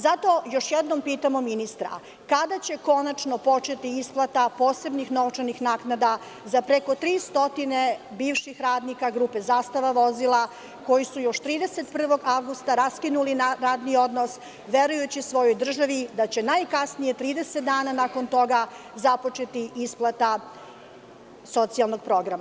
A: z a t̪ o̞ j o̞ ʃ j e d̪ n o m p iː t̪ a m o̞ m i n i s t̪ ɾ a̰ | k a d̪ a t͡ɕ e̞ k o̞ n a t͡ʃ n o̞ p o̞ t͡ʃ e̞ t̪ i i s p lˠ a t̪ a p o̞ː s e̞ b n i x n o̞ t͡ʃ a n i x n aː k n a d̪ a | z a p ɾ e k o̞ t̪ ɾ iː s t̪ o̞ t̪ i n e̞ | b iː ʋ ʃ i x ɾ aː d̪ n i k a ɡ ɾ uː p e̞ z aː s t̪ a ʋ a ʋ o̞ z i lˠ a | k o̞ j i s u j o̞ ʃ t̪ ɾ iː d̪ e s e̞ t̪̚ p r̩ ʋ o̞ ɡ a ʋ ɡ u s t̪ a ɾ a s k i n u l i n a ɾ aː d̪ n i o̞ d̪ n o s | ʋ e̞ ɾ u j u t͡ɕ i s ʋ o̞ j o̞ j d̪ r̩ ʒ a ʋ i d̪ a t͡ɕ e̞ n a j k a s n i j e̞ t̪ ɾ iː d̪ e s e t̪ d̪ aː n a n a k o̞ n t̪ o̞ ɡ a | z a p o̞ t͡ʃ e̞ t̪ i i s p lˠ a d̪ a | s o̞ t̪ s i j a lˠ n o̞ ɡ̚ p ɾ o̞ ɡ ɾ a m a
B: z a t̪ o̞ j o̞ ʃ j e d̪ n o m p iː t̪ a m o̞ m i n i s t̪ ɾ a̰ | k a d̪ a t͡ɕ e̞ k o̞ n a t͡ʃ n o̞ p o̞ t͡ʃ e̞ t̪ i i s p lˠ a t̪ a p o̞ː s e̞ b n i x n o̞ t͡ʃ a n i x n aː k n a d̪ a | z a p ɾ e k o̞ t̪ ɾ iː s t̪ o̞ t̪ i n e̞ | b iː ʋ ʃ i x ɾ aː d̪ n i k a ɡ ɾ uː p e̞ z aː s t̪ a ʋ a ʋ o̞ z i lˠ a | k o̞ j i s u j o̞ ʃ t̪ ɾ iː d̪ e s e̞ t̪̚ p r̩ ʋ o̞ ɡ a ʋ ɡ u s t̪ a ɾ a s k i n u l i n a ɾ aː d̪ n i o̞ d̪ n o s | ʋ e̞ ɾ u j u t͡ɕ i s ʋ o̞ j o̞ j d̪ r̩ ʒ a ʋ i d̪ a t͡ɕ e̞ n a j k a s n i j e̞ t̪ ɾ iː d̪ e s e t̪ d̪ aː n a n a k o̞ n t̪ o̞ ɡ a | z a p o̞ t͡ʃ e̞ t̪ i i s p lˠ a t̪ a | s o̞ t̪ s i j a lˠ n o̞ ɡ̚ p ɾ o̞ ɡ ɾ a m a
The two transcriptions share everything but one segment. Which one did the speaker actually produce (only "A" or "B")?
B